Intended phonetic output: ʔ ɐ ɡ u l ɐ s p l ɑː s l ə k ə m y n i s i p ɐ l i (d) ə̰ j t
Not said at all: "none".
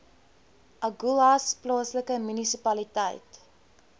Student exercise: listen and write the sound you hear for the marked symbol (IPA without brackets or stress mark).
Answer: t